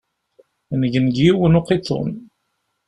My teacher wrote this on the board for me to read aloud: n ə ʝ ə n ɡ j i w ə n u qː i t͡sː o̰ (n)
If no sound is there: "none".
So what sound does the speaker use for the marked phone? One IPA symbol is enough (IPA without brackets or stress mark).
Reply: n